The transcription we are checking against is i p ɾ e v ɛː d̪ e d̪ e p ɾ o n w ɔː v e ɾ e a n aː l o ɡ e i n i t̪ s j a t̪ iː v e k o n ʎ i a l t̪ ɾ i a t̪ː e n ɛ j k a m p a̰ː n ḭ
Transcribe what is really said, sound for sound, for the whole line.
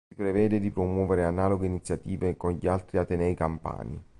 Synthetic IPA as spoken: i p ɾ e v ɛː d̪ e d̪ i p ɾ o m w ɔː v e ɾ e a n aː l o ɡ e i n i t̪ s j a t̪ iː v e k o n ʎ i a l t̪ ɾ i a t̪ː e n ɛ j k a m p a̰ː n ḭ